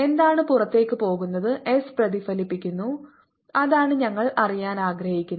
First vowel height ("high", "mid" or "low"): mid